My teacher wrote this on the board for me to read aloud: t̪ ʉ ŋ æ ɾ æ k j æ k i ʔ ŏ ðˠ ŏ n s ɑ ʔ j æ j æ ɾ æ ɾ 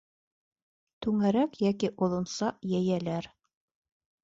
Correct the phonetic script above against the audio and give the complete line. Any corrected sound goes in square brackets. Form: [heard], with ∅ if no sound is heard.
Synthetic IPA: t̪ ʉ ŋ æ ɾ æ k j æ k i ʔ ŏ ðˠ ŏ n s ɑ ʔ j æ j æ [l] æ ɾ